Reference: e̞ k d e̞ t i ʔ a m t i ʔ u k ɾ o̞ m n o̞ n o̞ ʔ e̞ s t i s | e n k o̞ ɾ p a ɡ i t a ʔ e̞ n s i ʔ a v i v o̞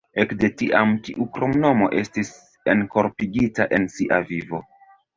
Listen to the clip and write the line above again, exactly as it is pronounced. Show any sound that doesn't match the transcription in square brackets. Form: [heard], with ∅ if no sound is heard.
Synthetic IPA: e̞ k d e̞ t i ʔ a m t i ʔ u k ɾ o̞ m n o̞ [m] o̞ ʔ e̞ s t i s | e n k o̞ ɾ p [i] ɡ i t a ʔ e̞ n s i ʔ a v i v o̞

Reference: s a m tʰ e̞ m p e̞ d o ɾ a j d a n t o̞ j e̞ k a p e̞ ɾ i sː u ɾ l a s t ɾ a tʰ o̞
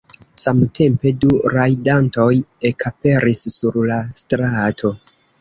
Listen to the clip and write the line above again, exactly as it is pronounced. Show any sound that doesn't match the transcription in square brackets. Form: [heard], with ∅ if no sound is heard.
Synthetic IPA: s a m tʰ e̞ m p e̞ d [u] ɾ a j d a n t o̞ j e̞ k a p e̞ ɾ i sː u ɾ l a s t ɾ a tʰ o̞

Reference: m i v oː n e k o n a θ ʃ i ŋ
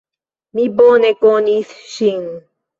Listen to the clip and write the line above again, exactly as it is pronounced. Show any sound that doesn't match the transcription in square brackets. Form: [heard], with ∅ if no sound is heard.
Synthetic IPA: m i [b] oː n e k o n [i] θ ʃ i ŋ

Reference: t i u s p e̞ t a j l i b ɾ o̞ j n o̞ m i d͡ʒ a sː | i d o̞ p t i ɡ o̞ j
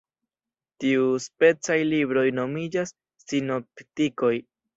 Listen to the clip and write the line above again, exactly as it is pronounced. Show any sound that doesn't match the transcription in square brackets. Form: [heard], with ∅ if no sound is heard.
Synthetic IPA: t i u s p e̞ [t͡s] a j l i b ɾ o̞ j n o̞ m i d͡ʒ a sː | i [n] o̞ p t i [k] o̞ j

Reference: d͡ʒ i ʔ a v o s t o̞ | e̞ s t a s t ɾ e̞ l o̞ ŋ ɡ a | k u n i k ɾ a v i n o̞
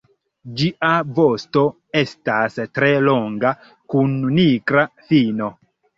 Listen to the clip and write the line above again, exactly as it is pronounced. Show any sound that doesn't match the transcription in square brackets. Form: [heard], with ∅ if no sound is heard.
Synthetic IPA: d͡ʒ i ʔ a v o s t o̞ | e̞ s t a s t ɾ e̞ l o̞ ŋ ɡ a | k u [nː] i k ɾ a [f] i n o̞

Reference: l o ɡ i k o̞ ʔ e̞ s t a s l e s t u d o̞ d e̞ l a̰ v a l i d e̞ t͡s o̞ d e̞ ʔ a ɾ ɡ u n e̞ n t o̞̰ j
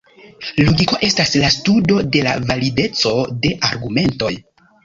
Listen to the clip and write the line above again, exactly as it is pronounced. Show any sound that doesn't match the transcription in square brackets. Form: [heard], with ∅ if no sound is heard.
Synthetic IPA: l o ɡ i k o̞ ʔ e̞ s t a s l [a] s t u d o̞ d e̞ l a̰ v a l i d e̞ t͡s o̞ d e̞ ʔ a ɾ ɡ u [m] e̞ n t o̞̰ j

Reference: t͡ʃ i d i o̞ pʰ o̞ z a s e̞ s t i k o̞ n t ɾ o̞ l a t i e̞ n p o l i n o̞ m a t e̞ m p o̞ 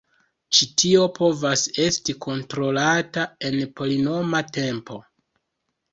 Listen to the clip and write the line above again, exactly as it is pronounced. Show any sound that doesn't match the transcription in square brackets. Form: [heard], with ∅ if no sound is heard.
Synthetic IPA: t͡ʃ i [t] i o̞ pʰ o̞ [v] a s e̞ s t i k o̞ n t ɾ o̞ l a t [a] e̞ n p o l i n o̞ m a t e̞ m p o̞

